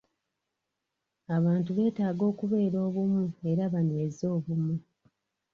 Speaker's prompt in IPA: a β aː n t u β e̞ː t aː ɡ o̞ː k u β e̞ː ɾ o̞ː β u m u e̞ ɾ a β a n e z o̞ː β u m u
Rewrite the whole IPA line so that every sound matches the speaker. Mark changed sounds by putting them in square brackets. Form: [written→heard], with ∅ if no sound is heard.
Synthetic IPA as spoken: a β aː n t u β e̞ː t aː ɡ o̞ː k u β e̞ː ɾ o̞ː β u m u e̞ ɾ a β a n e z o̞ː β u m u